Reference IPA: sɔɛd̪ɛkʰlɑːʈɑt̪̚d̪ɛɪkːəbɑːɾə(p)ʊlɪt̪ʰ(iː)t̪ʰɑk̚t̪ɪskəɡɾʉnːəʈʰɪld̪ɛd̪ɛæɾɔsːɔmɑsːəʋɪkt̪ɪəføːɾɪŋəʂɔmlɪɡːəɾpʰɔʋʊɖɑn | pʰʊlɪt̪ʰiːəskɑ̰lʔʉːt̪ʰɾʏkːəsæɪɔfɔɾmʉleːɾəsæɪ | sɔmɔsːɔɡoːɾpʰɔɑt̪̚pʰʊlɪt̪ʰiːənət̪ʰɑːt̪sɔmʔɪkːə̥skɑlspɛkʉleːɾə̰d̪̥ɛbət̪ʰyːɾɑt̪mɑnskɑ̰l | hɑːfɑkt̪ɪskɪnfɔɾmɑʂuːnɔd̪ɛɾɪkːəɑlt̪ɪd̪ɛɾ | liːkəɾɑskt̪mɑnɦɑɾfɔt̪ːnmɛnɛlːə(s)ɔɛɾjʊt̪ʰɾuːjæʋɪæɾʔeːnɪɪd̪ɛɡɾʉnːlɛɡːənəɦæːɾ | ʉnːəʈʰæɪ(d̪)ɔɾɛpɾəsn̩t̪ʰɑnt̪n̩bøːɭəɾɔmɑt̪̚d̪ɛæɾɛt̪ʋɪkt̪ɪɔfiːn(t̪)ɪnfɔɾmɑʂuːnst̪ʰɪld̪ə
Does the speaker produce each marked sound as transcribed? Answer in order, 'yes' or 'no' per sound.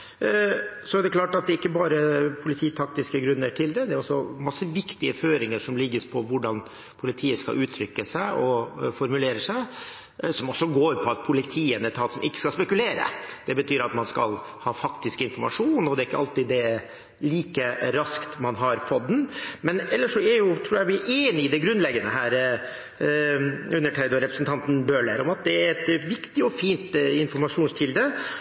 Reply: no, yes, no, yes, yes

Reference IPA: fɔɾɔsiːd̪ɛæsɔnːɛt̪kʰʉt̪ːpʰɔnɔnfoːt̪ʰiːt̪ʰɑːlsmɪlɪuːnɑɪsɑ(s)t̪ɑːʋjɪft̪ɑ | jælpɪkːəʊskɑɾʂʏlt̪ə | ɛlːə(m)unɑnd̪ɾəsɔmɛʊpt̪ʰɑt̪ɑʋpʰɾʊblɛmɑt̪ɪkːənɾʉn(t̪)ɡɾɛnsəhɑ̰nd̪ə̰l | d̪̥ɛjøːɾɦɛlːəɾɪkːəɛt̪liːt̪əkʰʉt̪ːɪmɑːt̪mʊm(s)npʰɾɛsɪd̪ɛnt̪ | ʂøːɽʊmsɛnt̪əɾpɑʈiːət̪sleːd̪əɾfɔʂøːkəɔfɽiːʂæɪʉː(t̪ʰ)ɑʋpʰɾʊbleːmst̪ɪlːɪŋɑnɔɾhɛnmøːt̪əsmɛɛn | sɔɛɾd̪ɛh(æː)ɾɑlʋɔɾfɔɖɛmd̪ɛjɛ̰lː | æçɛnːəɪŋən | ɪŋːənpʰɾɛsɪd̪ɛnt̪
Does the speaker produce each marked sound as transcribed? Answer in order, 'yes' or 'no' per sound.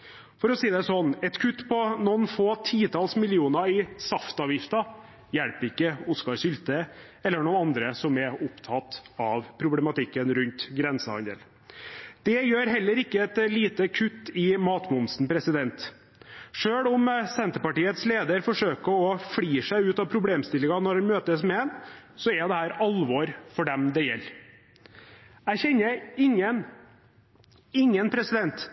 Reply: no, no, yes, yes, no, yes

